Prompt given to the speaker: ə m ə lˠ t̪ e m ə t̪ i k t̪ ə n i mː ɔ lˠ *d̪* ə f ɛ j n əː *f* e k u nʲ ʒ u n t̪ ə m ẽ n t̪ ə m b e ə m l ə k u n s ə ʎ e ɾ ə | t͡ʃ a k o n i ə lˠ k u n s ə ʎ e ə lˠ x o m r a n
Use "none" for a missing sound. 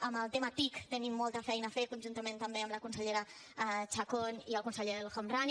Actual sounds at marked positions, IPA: t̪, f

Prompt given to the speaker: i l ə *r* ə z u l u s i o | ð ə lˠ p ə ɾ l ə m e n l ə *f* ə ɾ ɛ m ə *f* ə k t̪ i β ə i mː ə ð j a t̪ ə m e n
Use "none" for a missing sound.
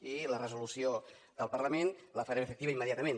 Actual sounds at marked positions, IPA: r, f, f

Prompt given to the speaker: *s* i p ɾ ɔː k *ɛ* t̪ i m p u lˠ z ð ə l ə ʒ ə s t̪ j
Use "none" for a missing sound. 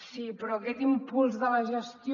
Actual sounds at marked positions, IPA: s, ɛ

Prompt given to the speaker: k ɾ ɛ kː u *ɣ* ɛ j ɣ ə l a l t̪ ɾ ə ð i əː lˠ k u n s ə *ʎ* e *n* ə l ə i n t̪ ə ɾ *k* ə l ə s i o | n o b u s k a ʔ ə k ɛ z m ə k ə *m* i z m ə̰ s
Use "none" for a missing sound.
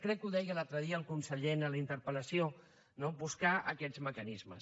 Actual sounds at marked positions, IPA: ð, ʎ, n, p, n

